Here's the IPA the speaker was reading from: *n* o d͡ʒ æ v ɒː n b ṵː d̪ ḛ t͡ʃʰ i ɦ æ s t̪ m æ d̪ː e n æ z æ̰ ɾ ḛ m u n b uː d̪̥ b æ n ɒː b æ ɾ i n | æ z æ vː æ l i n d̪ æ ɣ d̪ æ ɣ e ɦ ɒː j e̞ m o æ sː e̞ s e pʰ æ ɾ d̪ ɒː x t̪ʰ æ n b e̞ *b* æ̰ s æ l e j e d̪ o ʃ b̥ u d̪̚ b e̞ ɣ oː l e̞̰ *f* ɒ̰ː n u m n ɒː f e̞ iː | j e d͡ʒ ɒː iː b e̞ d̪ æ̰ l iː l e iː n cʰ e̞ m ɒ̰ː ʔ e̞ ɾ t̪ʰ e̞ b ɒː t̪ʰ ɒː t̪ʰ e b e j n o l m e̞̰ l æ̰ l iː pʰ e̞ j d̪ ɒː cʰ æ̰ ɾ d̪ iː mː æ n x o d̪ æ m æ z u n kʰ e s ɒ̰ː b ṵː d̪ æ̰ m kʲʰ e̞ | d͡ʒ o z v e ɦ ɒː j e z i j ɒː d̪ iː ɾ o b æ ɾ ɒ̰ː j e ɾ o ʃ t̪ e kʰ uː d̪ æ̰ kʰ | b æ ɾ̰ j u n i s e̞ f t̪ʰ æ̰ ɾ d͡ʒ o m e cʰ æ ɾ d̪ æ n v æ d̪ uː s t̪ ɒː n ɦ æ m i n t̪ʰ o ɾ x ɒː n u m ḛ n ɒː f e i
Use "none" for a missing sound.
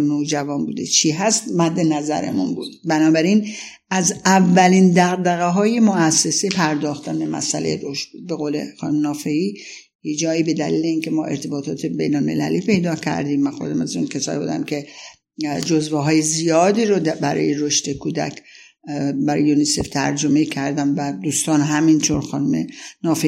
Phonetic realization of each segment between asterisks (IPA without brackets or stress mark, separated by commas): n, m, x